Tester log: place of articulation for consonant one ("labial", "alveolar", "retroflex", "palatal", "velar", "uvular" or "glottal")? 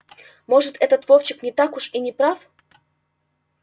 labial